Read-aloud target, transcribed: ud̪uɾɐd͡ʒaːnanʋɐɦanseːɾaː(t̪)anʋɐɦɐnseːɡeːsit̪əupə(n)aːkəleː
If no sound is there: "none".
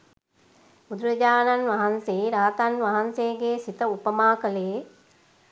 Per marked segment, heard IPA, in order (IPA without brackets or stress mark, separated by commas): t̪, m